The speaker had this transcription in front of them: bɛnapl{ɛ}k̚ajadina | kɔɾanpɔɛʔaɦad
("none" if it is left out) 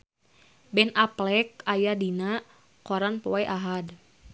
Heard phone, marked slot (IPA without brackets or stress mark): ɛ